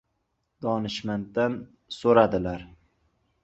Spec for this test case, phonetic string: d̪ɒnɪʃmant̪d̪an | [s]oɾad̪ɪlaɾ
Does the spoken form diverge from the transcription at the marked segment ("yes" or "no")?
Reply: no